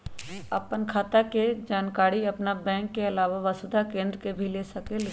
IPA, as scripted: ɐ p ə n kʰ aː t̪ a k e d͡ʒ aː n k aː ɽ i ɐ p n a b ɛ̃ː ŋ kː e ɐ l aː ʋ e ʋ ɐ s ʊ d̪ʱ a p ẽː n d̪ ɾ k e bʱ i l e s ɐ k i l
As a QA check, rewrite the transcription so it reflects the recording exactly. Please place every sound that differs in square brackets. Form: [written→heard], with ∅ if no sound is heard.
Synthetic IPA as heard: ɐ p ə n kʰ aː t̪ a k e d͡ʒ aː n k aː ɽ i ɐ p n a b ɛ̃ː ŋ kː e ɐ l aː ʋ [e→a] ʋ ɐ s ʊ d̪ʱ a [p→k] ẽː n d̪ ɾ k e bʱ i l e s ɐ k [i→e] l

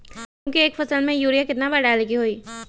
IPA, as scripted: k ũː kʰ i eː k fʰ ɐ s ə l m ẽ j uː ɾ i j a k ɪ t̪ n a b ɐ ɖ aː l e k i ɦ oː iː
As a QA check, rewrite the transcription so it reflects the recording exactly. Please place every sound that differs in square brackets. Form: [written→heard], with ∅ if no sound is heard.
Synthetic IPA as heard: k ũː [kʰ→k] i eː k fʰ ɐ s ə l m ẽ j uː ɾ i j a k ɪ t̪ n a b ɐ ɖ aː l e k i ɦ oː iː

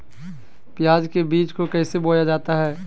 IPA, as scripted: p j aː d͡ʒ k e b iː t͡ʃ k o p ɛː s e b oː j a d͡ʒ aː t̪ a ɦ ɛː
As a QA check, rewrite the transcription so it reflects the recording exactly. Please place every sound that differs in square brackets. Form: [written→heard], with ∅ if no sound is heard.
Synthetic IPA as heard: p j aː d͡ʒ k e b iː t͡ʃ k o [p→k] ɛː s e b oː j a d͡ʒ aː t̪ a ɦ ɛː

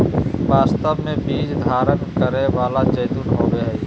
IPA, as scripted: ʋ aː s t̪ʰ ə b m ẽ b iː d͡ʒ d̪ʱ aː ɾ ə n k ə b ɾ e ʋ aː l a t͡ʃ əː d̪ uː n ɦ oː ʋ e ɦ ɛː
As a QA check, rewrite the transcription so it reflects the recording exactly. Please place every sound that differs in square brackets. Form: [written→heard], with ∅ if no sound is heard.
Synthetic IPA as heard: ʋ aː s [t̪ʰ→t̪] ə b m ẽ b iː d͡ʒ d̪ʱ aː ɾ ə n k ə [b→∅] ɾ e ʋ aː l a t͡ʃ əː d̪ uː n ɦ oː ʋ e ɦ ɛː

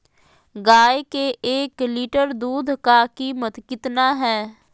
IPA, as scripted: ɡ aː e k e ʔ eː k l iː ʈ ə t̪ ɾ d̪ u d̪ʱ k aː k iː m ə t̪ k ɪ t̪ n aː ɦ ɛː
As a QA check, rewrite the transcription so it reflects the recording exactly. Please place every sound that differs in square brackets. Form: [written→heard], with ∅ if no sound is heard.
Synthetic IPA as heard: ɡ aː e k e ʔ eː k l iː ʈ ə [t̪→∅] ɾ d̪ [u→uː] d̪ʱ k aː k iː m ə t̪ k ɪ t̪ n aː ɦ ɛː

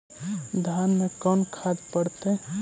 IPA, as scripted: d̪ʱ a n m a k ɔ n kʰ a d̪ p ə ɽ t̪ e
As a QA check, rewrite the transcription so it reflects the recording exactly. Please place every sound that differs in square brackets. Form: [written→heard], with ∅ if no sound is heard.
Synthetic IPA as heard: d̪ʱ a n m [a→e] k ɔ n kʰ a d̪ p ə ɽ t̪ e

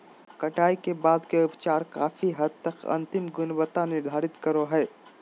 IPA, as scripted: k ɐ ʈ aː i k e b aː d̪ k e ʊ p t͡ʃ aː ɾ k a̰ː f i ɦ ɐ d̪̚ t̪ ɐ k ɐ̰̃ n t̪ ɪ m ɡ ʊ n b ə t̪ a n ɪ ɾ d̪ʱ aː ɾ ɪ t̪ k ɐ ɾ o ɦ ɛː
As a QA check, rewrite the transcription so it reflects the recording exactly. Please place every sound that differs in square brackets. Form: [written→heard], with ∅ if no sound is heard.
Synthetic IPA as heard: k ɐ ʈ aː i k e b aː d̪ k e ʊ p t͡ʃ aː ɾ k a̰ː f i ɦ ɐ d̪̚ t̪ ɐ k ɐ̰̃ n t̪ ɪ m ɡ ʊ n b ə t̪ a n ɪ ɾ d̪ʱ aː ɾ ɪ t̪ k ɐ ɾ o ɦ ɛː

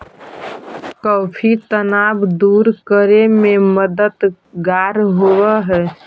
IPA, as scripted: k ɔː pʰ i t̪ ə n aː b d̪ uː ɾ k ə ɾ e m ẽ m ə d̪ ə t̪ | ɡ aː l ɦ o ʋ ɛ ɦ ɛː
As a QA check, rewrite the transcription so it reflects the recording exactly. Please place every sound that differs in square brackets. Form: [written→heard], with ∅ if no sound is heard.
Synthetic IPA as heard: k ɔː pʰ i t̪ ə n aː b d̪ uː ɾ k ə ɾ e m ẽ m ə d̪ ə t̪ | ɡ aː [l→ɾ] ɦ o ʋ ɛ ɦ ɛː

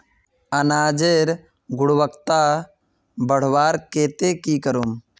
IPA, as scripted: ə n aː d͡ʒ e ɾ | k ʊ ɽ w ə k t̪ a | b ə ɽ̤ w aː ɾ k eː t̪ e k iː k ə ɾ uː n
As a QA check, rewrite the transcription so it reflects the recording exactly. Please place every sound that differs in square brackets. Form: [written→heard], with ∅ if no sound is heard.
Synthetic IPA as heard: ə n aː d͡ʒ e ɾ | [k→ɡ] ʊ ɽ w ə k t̪ a | b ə ɽ̤ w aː ɾ k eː t̪ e k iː k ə ɾ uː [n→m]

